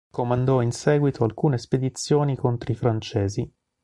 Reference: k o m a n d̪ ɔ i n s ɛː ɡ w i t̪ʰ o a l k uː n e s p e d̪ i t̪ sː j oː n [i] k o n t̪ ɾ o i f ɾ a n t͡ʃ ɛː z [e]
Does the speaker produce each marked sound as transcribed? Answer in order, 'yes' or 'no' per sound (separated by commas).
yes, no